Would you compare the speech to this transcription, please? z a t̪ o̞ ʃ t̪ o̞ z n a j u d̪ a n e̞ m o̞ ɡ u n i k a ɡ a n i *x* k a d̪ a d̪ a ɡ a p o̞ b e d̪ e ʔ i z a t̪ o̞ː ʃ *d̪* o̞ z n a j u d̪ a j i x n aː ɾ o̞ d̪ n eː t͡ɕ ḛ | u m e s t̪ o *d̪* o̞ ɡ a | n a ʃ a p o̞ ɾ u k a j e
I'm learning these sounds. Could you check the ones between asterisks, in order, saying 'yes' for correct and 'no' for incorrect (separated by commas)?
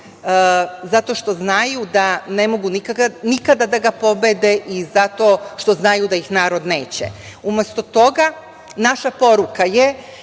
no, no, no